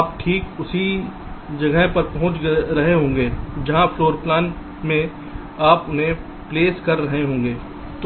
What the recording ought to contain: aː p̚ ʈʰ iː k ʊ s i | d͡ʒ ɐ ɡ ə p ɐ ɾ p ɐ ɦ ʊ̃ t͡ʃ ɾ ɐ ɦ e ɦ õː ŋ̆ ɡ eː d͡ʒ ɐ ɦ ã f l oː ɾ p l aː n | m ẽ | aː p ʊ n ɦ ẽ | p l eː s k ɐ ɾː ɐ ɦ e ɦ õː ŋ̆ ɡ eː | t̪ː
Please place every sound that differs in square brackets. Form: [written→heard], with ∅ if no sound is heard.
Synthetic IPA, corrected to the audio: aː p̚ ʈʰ iː k ʊ s i | d͡ʒ ɐ ɡ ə p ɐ ɾ p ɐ ɦ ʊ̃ t͡ʃ ɾ ɐ ɦ e ɦ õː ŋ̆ ɡ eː d͡ʒ ɐ ɦ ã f l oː ɾ p l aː n | m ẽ | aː p ʊ n ɦ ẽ | p l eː s k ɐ ɾː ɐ ɦ e ɦ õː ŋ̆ ɡ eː | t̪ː